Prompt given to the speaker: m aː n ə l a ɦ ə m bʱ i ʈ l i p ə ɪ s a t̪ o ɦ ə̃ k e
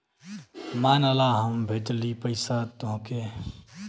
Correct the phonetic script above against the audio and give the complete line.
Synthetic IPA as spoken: m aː n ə l a ɦ ə m bʱ e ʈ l i p ə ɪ s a t̪ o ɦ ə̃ k e